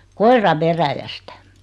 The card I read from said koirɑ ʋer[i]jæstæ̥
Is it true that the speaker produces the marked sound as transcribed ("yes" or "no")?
no